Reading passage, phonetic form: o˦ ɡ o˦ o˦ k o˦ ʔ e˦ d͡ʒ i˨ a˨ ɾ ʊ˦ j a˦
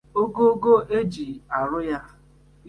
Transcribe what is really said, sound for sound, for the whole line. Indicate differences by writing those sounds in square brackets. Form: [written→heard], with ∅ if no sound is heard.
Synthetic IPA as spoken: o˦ ɡ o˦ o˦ [k→ɡ] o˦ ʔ e˦ d͡ʒ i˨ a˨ ɾ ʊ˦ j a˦